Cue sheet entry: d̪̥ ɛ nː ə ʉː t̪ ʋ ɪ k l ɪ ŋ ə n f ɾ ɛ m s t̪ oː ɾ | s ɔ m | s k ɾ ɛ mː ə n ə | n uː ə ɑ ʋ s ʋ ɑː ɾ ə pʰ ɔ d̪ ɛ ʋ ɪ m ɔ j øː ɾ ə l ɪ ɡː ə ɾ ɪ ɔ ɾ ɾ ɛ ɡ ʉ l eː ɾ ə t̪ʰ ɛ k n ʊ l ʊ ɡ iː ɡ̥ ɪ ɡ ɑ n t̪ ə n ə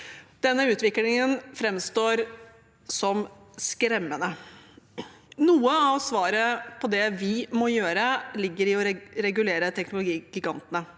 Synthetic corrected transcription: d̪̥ ɛ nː ə ʉː t̪ ʋ ɪ k l ɪ ŋ ə n f ɾ ɛ m s t̪ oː ɾ | s ɔ m | s k ɾ ɛ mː ə n ə | n uː ə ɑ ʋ s ʋ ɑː ɾ ə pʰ ɔ d̪ ɛ ʋ ɪ m ɔ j øː ɾ ə l ɪ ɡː ə ɾ ɪ ɔ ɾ ɾ ɛ ɡ ʉ l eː ɾ ə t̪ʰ ɛ k n ʊ l ʊ ɡ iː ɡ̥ ɪ ɡ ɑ n t̪ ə n ə